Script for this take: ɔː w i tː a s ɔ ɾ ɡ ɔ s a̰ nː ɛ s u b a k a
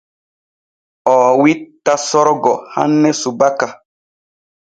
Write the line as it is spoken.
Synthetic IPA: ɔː w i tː a s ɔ ɾ ɡ ɔ h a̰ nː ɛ s u b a k a